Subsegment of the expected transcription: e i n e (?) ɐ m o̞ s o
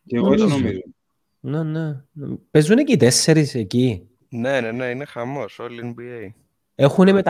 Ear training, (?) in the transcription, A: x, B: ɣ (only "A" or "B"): A